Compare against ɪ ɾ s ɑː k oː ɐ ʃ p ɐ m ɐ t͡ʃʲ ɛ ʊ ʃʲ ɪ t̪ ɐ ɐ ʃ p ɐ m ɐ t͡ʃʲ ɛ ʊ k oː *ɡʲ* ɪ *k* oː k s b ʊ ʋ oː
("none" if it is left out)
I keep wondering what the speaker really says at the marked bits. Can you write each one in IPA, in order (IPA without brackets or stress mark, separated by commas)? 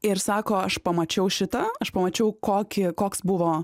kʲ, k